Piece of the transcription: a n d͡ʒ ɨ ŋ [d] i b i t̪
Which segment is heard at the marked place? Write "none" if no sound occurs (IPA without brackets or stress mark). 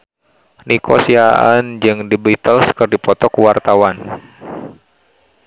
d